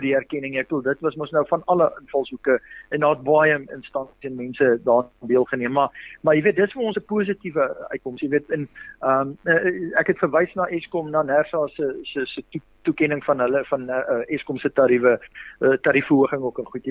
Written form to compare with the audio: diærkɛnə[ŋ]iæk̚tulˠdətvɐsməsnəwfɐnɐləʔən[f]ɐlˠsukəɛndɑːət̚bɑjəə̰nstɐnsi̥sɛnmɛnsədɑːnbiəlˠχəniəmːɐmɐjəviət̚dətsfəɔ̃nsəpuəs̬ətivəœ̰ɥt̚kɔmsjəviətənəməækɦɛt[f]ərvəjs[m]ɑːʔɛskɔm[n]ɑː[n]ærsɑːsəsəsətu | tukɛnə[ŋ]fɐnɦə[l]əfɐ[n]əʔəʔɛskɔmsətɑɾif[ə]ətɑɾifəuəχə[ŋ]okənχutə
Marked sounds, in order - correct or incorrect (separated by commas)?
correct, correct, correct, incorrect, correct, correct, correct, correct, correct, correct, correct